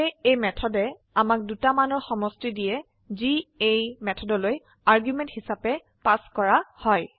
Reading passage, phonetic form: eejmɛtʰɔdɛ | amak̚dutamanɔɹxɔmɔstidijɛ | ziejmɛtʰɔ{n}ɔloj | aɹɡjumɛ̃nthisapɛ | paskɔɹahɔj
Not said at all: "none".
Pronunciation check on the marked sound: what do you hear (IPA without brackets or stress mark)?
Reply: d